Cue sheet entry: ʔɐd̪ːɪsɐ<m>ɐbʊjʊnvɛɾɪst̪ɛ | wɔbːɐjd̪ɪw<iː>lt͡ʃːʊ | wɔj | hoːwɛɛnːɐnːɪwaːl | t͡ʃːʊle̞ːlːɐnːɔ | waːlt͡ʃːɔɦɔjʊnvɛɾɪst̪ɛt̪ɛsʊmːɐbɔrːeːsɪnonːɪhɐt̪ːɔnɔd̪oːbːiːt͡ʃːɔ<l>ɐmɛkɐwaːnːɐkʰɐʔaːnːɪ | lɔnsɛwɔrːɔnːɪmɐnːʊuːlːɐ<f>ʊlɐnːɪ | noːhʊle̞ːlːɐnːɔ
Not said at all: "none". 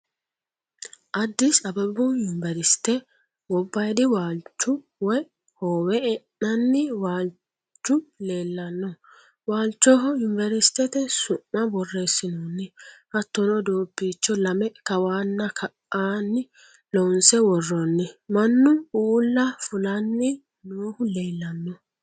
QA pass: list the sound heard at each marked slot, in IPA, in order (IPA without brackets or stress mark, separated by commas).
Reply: b, aː, l, f